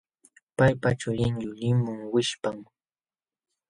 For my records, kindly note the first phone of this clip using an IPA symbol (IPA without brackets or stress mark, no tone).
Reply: p